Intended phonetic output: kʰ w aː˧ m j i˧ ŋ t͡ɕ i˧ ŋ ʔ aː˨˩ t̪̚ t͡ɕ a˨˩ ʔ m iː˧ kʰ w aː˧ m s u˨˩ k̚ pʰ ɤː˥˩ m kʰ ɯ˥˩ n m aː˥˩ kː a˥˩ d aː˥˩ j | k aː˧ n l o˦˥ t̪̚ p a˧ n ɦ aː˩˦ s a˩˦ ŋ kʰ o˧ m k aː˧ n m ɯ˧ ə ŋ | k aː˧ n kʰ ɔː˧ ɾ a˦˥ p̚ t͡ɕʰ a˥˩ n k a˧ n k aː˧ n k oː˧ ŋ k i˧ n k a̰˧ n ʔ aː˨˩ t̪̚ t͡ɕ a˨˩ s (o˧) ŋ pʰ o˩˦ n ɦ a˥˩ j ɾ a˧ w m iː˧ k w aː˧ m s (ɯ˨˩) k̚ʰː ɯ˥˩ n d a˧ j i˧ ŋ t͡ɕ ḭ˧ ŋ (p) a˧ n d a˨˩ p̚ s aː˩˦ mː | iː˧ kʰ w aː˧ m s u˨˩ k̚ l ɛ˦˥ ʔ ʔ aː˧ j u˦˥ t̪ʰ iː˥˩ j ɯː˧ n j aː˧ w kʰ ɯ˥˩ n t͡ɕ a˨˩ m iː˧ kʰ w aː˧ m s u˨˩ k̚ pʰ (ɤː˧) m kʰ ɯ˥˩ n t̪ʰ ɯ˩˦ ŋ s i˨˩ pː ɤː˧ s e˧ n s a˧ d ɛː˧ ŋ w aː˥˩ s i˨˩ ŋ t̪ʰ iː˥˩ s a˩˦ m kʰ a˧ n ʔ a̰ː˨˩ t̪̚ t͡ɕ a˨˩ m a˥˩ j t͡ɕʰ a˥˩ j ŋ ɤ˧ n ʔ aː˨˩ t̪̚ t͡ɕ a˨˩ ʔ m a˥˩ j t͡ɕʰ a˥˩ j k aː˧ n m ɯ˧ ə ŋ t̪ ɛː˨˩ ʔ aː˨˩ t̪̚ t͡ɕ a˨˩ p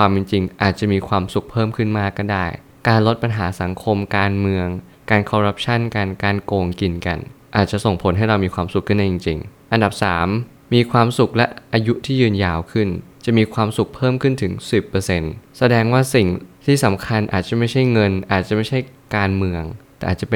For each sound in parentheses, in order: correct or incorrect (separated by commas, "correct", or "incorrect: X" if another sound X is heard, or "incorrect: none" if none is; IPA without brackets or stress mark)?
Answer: incorrect: o˨˩, incorrect: u˨˩, incorrect: ʔ, incorrect: ɤː˥˩˨